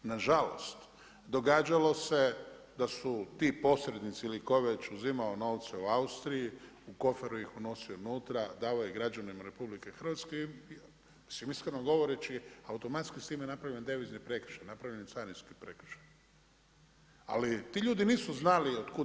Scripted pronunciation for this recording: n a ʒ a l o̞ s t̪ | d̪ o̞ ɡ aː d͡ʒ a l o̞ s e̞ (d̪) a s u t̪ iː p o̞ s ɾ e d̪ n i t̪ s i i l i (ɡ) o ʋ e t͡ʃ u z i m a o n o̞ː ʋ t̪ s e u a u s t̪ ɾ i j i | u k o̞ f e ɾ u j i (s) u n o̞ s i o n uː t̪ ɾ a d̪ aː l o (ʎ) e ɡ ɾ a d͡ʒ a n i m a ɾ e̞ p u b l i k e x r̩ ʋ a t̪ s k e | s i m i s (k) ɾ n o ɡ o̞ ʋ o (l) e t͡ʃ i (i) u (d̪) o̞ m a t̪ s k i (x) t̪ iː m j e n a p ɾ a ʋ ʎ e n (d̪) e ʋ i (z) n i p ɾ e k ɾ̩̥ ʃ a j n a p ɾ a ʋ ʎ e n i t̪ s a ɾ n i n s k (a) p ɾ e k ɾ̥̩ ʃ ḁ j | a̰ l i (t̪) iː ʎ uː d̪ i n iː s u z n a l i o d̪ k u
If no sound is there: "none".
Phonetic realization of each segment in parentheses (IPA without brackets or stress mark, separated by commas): d̪, k, x, j, k, ɾ, a, t̪, s, d̪, z, i, t̪